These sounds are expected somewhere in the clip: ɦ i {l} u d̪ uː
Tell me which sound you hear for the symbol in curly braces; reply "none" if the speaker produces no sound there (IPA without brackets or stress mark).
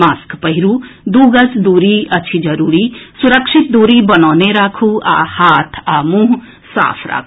ɾ